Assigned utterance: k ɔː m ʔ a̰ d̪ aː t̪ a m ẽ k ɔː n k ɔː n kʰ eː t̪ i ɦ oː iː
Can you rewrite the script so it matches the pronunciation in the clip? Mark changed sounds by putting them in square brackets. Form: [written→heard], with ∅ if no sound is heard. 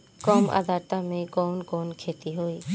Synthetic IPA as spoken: k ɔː m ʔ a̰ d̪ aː t̪ a m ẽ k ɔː n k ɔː n kʰ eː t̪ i ɦ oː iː